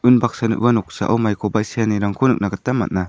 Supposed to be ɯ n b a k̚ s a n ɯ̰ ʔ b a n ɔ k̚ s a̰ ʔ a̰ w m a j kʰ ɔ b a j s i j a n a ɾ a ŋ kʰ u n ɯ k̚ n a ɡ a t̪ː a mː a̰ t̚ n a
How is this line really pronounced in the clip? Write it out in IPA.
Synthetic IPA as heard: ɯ n b a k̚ s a n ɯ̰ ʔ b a n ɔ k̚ s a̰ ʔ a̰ w m a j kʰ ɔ b a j s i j a n i ɾ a ŋ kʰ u n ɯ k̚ n a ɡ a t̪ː a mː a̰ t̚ n a